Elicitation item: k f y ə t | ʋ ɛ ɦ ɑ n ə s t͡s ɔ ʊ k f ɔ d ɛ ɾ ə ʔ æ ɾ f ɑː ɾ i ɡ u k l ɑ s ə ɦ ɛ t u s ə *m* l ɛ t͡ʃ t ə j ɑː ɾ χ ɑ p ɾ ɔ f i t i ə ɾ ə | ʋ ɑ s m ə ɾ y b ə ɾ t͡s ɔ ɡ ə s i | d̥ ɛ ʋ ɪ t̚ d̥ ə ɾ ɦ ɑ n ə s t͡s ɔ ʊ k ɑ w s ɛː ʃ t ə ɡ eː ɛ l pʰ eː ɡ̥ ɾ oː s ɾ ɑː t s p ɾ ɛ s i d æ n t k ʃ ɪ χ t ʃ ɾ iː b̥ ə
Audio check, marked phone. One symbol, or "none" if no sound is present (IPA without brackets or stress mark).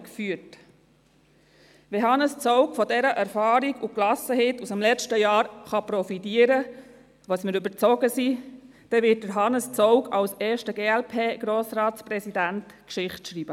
m